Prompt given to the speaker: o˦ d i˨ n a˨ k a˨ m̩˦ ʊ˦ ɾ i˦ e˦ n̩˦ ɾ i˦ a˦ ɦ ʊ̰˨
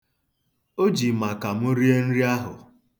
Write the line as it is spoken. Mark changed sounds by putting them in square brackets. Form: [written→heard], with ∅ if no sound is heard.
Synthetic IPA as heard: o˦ [d→d͡ʒ] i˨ [n→m] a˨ k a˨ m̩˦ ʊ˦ ɾ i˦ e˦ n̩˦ ɾ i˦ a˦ ɦ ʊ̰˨